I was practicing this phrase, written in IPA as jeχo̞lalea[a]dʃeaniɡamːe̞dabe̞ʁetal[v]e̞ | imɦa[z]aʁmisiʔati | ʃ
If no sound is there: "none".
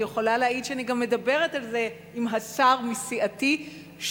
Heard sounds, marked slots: i, z, s

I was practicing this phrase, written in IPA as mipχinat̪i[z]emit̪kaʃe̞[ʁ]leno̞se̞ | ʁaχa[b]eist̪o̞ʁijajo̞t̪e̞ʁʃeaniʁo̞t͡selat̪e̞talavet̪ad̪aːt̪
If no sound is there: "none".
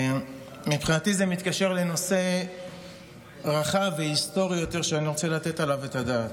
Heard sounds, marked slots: z, ʁ, v

